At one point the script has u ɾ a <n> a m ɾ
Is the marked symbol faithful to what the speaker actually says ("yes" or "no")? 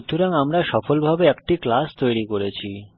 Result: no